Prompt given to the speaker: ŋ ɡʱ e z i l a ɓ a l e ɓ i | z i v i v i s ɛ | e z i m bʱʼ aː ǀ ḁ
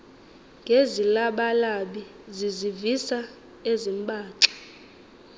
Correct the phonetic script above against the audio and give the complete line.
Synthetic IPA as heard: ŋ ɡʱ e z i l a ɓ a l a ɓ i | z i z i v i s a | e z i m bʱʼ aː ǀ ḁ